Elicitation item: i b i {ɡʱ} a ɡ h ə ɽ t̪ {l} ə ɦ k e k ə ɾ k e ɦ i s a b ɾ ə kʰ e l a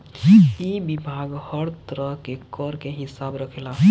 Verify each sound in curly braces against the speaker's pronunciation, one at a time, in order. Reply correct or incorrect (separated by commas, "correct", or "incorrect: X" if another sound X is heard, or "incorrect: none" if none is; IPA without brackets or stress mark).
incorrect: bʱ, incorrect: ɾ